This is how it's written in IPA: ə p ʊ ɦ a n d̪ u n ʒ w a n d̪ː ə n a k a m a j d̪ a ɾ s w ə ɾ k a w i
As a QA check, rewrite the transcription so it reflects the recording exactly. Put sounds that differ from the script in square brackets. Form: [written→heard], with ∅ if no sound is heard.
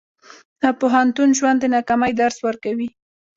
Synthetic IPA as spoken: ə p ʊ ɦ a n [d̪→t̪] u n ʒ w a n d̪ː ə n a k a m a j d̪ a ɾ s w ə ɾ k a w i